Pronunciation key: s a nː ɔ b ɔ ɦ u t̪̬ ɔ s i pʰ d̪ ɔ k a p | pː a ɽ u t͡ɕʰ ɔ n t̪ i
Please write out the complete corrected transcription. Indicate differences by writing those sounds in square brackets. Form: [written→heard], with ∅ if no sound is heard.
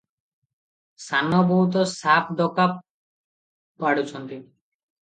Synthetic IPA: s a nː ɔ b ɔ ɦ u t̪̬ ɔ s [i→a] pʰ d̪ ɔ k a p | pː a ɽ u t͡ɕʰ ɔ n t̪ i